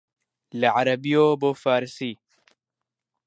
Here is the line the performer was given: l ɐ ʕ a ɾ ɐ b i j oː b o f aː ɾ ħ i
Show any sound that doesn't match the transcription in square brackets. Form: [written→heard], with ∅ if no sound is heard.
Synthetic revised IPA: l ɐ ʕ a ɾ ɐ b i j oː b o f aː ɾ [ħ→s] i